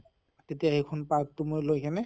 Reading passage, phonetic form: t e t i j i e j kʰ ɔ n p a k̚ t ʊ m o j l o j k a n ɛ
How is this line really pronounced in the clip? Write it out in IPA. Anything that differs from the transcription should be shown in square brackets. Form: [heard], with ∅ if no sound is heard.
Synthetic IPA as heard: t e t i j [a] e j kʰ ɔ n p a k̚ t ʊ m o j l o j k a n ɛ